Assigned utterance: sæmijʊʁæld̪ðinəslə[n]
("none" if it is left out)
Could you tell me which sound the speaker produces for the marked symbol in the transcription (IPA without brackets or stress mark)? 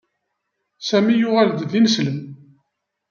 m